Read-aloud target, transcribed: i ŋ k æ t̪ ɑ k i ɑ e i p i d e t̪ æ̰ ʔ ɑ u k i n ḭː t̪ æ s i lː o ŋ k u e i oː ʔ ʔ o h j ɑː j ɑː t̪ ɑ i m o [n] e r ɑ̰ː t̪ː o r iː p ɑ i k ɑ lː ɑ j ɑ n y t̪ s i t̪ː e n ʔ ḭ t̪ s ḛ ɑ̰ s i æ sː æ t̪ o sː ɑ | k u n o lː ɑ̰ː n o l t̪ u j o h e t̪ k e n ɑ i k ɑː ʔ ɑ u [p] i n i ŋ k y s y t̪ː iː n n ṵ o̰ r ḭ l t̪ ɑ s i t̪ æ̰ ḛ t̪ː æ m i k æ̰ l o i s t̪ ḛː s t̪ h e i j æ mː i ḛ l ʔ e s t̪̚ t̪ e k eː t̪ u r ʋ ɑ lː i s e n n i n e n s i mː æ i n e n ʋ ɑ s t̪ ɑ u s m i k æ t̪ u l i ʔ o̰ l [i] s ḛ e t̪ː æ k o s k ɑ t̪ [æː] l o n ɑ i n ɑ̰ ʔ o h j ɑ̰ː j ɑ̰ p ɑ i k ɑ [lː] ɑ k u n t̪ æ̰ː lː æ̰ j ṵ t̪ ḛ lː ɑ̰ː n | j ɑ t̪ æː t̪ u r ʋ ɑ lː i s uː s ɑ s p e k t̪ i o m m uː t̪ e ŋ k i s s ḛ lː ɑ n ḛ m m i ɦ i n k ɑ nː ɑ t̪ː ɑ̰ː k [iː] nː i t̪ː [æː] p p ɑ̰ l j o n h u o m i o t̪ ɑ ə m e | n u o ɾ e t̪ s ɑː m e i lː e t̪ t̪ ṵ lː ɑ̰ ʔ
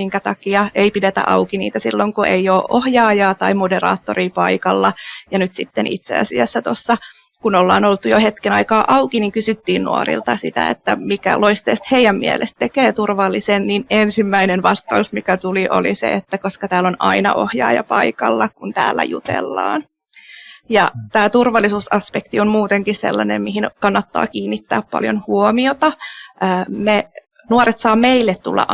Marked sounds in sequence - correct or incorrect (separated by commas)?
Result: incorrect, incorrect, correct, correct, correct, correct, correct